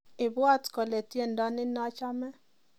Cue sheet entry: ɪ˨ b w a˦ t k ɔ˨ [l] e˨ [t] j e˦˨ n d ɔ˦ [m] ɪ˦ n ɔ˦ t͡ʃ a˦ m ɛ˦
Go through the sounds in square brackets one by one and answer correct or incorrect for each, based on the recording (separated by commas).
correct, correct, incorrect